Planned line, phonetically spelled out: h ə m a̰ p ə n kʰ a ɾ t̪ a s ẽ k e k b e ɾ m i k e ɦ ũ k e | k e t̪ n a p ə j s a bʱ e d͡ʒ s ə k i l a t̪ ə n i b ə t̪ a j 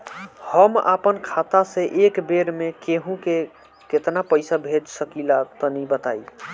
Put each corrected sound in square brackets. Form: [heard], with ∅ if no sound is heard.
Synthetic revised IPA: h ə m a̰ p ə n kʰ a [∅] t̪ a s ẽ [ʔ] e k b e ɾ m [e] k e ɦ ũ k e | k e t̪ n a p ə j s a bʱ e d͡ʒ s ə k i l a t̪ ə n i b ə t̪ a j